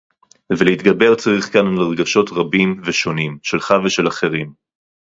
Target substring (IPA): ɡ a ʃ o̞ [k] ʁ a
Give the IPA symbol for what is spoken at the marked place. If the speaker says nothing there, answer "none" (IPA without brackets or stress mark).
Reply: t